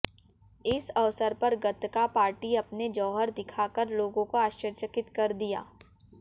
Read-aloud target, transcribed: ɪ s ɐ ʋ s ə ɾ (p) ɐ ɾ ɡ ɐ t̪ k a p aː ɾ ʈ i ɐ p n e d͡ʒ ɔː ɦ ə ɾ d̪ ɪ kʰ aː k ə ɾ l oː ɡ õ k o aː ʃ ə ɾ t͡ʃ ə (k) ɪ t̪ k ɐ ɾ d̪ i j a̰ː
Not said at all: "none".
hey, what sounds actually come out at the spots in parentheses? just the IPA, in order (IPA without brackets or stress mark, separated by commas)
p, k